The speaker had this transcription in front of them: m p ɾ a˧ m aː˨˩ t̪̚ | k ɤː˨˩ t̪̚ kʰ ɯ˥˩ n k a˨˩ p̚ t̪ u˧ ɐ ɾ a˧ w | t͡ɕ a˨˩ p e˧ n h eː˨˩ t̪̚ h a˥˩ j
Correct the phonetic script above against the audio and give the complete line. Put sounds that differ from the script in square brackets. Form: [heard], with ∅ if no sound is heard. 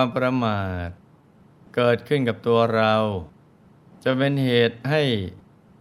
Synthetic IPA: m p ɾ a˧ m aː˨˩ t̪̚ | k ɤː˨˩ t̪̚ kʰ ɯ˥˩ n k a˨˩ p̚ t̪ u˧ ɐ ɾ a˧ w | t͡ɕ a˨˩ p e˧ n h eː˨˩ t̪̚ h a˥˩ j